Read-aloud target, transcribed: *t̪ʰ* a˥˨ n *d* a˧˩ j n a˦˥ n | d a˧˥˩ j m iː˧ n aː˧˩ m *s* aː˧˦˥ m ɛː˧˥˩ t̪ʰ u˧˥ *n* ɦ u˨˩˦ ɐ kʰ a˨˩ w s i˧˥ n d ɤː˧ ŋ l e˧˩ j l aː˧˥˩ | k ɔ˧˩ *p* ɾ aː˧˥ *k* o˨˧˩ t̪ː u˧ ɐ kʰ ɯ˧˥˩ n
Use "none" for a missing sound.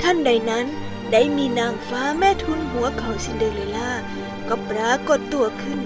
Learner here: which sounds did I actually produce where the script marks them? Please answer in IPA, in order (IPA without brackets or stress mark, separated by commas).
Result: t̪ʰ, d, f, n, p, k